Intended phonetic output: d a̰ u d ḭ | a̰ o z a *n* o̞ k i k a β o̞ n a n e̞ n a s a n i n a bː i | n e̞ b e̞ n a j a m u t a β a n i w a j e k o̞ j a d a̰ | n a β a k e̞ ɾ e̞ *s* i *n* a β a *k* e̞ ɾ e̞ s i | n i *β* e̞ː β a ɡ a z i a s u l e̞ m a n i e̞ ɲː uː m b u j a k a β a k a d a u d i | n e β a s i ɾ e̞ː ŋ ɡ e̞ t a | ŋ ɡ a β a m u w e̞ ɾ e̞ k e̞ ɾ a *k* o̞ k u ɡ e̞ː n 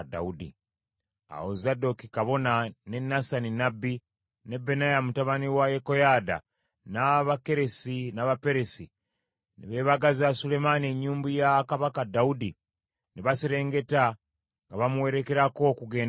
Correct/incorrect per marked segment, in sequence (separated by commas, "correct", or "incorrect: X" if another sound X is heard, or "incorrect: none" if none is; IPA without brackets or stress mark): incorrect: d, correct, correct, incorrect: p, correct, correct